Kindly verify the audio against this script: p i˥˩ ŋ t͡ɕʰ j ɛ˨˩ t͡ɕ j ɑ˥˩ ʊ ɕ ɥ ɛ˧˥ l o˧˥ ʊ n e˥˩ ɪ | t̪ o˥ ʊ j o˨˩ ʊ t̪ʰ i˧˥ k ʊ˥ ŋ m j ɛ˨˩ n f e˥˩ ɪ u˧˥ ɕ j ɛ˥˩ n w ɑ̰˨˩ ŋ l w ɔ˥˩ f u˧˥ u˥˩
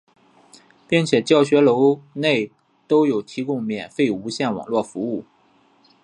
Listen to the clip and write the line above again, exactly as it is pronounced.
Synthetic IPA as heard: p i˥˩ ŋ t͡ɕʰ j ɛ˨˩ t͡ɕ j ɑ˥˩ ʊ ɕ ɥ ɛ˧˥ l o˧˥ ʊ n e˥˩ ɪ | t̪ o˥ ʊ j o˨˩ ʊ t̪ʰ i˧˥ k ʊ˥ ŋ m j ɛ˨˩ n f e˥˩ ɪ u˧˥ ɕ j ɛ˥˩ n w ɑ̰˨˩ ŋ l w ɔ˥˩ f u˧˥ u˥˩